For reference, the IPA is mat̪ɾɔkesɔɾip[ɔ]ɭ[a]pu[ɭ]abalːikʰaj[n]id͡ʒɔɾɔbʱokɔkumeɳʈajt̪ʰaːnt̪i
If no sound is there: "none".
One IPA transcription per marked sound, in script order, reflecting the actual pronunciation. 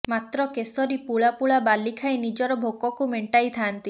u, a, ɭ, n

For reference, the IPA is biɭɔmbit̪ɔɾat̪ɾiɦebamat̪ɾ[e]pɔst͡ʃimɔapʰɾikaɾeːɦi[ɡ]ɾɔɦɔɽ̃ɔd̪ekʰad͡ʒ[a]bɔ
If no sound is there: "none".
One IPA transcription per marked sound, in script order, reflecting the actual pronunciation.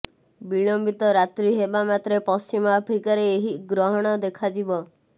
e, ɡ, i

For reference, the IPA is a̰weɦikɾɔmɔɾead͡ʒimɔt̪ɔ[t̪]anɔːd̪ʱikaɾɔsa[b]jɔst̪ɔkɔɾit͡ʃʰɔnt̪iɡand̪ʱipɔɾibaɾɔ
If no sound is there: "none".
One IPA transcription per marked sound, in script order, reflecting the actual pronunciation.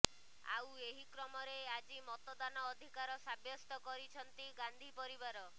d̪, b

